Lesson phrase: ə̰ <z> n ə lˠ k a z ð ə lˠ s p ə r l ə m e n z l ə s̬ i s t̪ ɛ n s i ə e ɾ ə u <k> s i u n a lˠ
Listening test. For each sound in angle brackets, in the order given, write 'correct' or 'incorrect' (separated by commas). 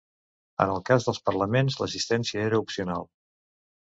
incorrect, incorrect